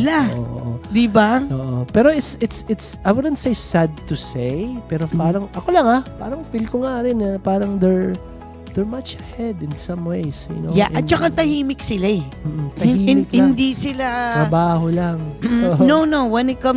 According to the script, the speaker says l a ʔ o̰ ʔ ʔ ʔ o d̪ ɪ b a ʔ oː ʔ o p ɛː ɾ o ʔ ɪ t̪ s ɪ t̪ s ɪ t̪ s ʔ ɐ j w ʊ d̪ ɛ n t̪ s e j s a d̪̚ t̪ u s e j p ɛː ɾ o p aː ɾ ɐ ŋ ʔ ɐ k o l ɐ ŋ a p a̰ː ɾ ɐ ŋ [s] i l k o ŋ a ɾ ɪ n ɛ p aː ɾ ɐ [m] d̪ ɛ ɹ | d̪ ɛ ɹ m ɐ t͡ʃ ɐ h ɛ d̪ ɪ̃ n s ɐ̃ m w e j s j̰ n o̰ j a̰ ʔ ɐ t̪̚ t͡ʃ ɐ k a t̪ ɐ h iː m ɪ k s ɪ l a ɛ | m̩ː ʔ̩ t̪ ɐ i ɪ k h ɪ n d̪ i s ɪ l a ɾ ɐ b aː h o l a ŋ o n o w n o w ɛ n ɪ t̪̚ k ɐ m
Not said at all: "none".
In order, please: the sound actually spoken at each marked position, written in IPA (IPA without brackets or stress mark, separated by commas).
f, ŋ